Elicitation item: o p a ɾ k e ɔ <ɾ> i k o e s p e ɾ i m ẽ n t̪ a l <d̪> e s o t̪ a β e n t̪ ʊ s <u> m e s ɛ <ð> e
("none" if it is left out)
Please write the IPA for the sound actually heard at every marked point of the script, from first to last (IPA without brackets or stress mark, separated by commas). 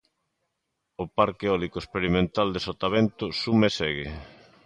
l, d̪, u, ɣ